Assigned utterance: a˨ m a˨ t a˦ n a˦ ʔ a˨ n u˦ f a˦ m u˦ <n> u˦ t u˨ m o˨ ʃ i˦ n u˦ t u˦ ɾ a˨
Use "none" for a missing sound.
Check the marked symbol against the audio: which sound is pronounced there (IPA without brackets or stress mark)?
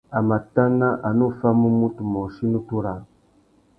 m